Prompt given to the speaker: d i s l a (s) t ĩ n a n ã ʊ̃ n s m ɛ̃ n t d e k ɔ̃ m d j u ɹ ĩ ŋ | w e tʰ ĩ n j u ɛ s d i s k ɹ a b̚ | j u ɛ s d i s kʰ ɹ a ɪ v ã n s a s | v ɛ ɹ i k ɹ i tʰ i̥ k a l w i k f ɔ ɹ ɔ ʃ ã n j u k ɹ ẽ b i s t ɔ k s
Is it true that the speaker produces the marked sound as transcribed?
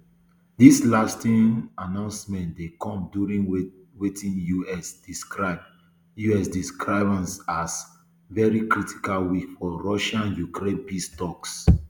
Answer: yes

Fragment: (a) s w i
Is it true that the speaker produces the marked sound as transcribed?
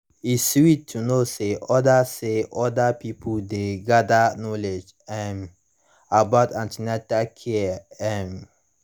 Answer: no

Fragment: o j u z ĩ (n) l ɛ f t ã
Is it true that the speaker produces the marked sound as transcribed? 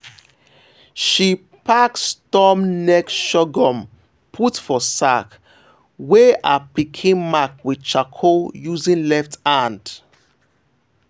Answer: yes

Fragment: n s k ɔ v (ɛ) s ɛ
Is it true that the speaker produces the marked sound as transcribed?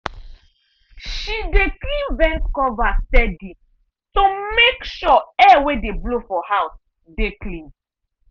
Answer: no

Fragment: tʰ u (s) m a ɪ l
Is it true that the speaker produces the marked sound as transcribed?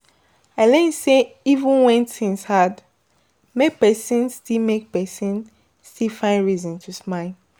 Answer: yes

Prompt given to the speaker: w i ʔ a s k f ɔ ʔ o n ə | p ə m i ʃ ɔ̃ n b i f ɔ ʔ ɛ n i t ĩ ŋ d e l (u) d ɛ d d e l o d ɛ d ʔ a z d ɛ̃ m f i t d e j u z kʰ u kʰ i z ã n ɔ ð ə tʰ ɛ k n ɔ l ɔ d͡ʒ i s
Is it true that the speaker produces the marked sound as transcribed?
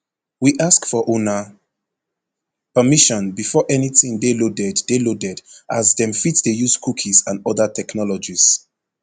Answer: no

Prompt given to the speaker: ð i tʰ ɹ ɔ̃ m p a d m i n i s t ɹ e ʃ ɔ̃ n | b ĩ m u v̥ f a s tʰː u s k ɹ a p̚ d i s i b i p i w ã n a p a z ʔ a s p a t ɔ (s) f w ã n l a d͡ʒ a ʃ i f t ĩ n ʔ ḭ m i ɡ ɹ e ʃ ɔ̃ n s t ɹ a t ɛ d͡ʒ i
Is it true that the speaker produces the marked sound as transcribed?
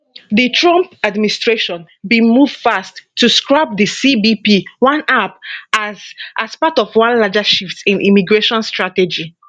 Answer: no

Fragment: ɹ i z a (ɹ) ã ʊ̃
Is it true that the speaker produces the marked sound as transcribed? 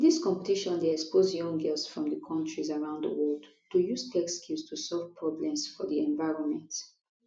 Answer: yes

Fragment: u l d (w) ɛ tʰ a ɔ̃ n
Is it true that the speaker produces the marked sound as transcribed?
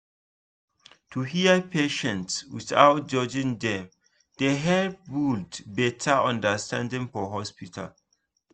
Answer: no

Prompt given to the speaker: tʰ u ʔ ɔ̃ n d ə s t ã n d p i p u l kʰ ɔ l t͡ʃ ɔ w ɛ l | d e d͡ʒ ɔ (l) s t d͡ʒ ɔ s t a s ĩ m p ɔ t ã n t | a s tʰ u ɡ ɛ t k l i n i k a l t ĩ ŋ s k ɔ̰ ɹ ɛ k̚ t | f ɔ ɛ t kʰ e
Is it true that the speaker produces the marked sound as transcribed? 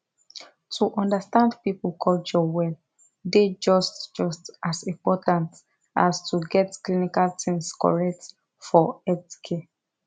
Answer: no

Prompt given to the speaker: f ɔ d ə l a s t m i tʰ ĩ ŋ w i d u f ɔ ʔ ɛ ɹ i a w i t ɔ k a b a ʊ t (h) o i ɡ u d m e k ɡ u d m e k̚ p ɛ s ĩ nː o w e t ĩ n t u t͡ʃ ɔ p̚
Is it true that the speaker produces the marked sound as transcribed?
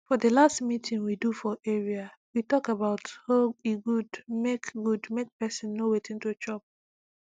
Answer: yes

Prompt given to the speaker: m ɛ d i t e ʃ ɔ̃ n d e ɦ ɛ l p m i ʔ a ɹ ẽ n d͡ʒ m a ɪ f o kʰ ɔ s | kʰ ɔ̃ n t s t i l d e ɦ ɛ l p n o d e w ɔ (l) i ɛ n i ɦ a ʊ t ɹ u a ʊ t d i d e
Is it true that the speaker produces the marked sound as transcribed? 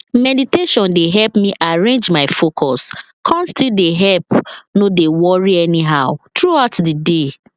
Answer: no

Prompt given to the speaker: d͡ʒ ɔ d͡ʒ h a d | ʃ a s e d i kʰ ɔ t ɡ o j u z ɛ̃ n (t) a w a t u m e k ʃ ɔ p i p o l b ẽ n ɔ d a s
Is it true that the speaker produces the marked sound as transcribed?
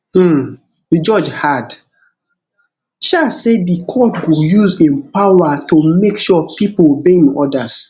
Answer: no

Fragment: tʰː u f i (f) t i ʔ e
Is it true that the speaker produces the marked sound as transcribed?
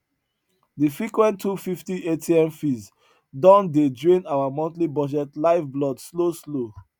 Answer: yes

